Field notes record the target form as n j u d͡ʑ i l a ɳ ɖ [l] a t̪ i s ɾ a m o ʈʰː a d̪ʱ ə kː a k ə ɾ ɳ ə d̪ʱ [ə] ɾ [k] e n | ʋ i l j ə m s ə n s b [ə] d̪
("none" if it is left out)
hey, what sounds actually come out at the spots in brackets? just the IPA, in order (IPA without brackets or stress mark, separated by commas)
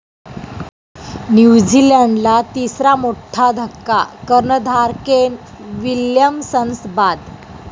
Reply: l, a, k, a